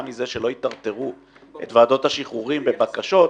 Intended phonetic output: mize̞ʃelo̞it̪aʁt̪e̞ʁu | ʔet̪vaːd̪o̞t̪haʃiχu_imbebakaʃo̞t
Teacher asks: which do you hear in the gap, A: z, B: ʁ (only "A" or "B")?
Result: B